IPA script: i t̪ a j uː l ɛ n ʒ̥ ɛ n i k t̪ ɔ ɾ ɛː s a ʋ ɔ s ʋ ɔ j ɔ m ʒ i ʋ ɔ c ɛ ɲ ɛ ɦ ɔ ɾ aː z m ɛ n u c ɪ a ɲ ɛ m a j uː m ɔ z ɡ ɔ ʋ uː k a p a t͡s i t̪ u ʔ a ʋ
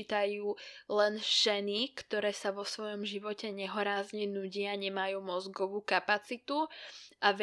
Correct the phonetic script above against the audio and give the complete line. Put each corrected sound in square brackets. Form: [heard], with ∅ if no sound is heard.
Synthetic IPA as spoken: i t̪ a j uː l ɛ n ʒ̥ ɛ n i k t̪ ɔ ɾ ɛː s a ʋ ɔ s ʋ ɔ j ɔ m ʒ i ʋ ɔ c ɛ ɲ ɛ ɦ ɔ ɾ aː z [ɲ] ɛ n u [ɟ] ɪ a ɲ ɛ m a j uː m ɔ z ɡ ɔ ʋ uː k a p a t͡s i t̪ u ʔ a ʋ